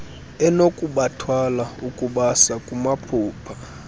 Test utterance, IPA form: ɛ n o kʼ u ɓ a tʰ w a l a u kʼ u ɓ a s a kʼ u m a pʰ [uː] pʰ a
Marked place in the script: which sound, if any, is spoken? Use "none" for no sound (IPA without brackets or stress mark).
uː